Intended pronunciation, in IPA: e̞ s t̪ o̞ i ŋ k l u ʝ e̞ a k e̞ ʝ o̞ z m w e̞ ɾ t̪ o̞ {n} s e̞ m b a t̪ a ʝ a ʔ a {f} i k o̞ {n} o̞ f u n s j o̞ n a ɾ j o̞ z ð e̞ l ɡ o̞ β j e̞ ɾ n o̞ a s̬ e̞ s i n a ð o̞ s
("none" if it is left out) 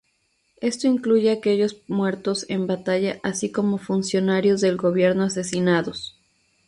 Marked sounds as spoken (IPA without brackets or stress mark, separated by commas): none, s, m